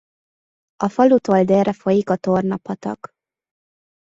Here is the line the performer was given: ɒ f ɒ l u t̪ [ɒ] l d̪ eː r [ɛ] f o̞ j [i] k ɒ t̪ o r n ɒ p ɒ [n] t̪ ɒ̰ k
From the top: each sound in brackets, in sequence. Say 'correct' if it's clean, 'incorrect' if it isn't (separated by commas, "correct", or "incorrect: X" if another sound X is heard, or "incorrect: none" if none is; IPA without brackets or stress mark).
incorrect: o, correct, correct, incorrect: none